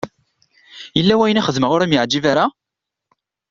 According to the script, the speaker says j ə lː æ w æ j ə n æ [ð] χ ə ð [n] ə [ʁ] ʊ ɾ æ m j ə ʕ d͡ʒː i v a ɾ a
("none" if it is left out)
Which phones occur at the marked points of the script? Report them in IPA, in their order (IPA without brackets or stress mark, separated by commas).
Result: none, m, ʁ